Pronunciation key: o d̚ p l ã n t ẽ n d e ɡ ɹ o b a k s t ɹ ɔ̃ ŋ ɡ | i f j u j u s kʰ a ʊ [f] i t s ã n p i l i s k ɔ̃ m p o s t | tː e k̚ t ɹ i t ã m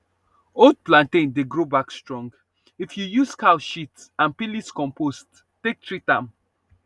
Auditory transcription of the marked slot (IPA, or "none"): ʃ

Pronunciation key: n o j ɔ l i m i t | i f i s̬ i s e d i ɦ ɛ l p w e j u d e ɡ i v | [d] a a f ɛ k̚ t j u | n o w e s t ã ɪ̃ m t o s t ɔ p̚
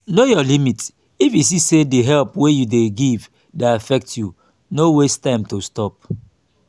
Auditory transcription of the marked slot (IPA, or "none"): d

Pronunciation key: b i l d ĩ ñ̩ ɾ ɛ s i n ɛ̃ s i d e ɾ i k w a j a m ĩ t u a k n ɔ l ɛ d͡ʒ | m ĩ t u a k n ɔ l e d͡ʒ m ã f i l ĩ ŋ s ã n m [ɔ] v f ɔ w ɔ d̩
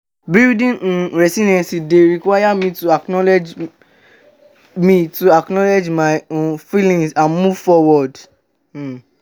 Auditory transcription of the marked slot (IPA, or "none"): u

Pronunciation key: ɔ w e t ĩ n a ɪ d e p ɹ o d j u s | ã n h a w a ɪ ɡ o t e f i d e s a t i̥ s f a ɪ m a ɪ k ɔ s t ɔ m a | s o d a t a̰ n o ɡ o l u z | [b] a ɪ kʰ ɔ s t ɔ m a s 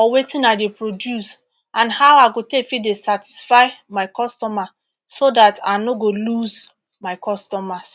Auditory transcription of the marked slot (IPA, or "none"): m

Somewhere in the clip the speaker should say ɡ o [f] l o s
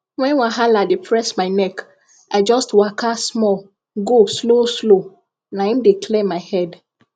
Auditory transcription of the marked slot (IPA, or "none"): s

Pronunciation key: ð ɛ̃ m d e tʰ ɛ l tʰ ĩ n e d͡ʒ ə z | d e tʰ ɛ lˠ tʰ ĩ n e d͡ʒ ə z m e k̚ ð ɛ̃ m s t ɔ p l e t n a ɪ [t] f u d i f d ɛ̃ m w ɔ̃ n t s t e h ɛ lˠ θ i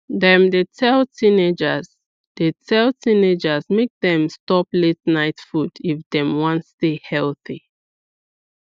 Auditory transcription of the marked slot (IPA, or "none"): t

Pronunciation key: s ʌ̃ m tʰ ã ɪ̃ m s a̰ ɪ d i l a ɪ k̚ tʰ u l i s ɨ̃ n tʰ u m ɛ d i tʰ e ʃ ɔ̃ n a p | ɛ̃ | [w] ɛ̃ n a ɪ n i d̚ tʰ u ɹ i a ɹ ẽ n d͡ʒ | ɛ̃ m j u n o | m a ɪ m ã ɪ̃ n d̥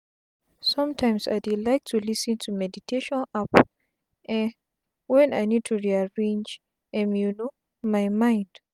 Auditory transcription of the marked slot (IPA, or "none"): w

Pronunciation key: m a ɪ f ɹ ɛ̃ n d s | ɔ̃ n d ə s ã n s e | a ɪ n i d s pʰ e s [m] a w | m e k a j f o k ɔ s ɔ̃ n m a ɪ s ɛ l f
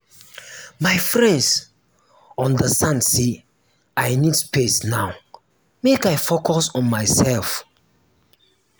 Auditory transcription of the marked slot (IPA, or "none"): n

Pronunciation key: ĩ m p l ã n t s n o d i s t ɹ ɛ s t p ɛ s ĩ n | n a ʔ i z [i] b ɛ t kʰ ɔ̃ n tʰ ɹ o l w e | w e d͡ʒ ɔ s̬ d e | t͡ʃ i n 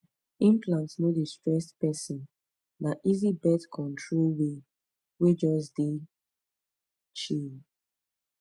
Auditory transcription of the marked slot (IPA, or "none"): i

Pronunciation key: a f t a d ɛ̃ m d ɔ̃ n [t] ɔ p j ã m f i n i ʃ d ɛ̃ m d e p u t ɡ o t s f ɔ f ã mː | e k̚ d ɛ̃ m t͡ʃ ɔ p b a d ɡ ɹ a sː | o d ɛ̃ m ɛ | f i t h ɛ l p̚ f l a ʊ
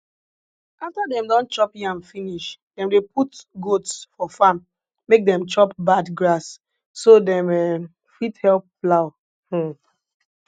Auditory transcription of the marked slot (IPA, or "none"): t͡ʃ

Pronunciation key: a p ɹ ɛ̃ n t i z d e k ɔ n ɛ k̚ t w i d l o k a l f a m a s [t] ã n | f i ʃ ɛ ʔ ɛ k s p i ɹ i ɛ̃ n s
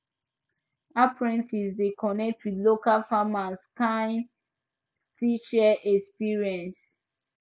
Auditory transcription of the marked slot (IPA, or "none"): k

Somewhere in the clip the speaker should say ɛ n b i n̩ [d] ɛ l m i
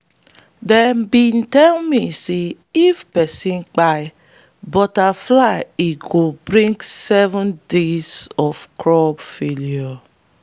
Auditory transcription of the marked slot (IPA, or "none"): t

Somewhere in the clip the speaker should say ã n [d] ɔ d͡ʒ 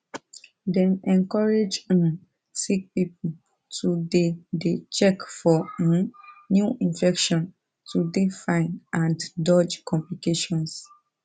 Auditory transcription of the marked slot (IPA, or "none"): d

